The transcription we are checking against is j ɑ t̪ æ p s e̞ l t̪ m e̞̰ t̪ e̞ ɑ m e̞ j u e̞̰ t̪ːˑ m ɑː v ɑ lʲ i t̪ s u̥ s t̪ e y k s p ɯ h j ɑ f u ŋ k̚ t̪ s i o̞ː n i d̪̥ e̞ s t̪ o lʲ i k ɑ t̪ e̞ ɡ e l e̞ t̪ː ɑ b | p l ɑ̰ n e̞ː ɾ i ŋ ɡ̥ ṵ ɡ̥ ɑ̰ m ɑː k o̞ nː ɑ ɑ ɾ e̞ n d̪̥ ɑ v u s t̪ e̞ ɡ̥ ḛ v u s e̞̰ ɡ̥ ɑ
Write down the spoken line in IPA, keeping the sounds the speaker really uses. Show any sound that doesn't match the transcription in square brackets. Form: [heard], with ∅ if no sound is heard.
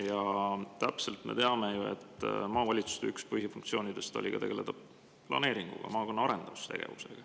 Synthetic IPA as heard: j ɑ t̪ æ p s e̞ l t̪ m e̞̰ t̪ e̞ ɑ m e̞ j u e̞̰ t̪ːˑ m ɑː v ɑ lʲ i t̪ s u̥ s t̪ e y k s p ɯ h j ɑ f u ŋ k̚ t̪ s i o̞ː n i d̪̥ e̞ s t̪ o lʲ i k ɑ t̪ e̞ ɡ e l e̞ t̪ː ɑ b | p l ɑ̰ n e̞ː ɾ i ŋ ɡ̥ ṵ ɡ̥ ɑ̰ m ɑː k o̞ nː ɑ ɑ ɾ e̞ n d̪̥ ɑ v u s t̪ e̞ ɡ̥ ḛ v u s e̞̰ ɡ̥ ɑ